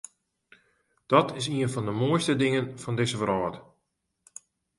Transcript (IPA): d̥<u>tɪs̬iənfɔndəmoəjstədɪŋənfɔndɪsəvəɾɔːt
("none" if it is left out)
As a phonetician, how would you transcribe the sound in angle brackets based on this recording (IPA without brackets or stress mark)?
ɔ